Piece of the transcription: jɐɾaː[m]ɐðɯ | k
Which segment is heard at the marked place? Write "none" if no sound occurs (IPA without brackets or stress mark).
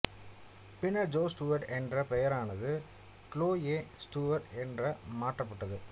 n